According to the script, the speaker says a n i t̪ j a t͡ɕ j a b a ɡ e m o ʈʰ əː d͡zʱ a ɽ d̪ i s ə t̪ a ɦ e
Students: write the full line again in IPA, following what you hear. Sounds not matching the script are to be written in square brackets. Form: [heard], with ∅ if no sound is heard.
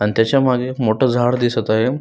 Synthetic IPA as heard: a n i t̪ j a t͡ɕ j a [m] a ɡ e m o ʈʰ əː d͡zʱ a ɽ d̪ i s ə t̪ a ɦ e

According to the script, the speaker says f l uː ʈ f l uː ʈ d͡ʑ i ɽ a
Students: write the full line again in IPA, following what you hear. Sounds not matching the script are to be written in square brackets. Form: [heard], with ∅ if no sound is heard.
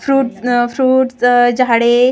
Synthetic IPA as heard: f [ɾ] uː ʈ f [ɾ] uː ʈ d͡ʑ [a] ɽ [e]

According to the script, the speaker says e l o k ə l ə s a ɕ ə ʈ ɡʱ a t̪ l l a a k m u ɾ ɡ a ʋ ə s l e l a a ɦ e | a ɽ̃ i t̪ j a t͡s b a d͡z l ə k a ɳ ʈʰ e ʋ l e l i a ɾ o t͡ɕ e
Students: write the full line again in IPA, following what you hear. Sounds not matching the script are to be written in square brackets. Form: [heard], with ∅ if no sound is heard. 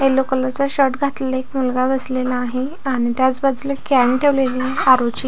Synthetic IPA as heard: e l o k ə l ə [t͡s] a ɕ ə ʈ ɡʱ a t̪ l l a [e] k m u [l] ɡ a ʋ ə s l e l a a ɦ e | a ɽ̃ i t̪ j a t͡s b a d͡z l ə k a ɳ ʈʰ e ʋ l e l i a ɾ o t͡ɕ [i]

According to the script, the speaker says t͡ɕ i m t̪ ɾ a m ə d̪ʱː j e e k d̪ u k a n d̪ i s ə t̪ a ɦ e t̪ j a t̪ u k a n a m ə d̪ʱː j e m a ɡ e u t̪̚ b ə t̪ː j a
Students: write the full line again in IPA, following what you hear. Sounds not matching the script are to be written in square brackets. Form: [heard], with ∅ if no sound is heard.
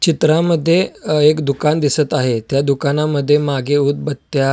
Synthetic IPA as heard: t͡ɕ i [∅] t̪ ɾ a m ə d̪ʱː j e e k d̪ u k a n d̪ i s ə t̪ a ɦ e t̪ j a [d̪] u k a n a m ə d̪ʱː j e m a ɡ e u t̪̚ b ə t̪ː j a

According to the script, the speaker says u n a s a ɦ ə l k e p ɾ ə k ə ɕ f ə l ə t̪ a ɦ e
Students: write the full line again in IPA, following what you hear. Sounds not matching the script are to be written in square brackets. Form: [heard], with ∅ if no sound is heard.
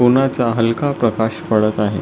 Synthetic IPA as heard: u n a [t͡s] a ɦ ə l k [a] p ɾ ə k [a] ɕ f ə [ɭ] ə t̪ a ɦ e

